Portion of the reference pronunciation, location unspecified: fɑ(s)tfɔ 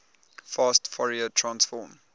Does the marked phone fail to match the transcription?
no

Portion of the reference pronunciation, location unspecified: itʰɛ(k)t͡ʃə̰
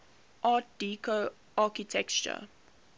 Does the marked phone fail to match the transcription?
no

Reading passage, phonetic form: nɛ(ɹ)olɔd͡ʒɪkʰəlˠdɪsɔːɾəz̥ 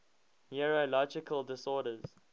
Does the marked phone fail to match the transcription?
no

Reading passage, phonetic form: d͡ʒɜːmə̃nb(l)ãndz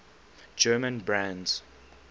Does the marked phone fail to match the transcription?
yes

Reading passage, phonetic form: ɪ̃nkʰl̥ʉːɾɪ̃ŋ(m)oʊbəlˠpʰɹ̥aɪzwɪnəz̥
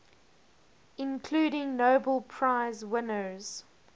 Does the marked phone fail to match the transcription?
yes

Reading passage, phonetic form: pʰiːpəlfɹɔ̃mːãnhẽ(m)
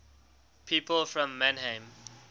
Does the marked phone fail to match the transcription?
no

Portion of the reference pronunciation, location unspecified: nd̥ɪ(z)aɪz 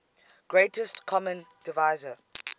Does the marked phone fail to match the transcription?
yes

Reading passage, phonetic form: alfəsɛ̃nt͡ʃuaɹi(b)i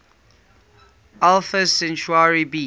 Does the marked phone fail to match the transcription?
no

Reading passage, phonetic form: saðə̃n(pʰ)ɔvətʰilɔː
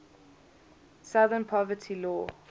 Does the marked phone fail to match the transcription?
no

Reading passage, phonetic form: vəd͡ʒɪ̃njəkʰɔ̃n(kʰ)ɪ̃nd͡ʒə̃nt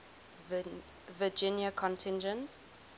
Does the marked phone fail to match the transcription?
yes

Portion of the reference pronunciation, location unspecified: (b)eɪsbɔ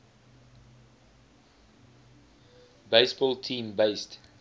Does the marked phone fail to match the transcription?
no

